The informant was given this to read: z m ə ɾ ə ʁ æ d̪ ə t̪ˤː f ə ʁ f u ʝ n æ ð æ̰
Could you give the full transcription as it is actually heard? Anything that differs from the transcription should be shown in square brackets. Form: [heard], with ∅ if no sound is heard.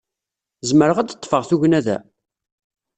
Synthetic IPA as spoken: z m ə ɾ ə ʁ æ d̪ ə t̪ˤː f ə ʁ [θ] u ʝ n æ ð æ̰